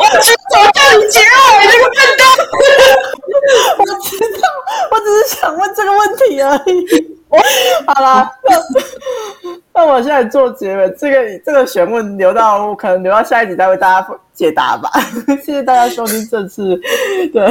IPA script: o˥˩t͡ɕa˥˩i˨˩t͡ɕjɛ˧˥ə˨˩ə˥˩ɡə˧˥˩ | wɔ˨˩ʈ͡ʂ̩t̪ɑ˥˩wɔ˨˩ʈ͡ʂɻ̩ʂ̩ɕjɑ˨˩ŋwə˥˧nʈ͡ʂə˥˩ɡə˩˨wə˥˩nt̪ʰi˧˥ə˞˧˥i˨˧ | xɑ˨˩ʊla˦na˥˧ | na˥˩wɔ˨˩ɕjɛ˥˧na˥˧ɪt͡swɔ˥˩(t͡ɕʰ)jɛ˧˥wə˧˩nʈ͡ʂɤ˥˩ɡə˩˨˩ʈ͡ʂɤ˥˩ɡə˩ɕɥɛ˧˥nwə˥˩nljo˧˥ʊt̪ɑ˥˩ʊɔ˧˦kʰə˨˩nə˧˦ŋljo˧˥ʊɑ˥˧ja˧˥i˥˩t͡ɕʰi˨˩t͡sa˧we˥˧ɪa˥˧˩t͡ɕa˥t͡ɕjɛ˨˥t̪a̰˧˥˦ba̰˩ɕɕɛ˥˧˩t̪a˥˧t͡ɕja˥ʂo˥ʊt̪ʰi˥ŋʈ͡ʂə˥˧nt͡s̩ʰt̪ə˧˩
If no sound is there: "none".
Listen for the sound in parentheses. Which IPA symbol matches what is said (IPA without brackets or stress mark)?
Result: t͡ɕ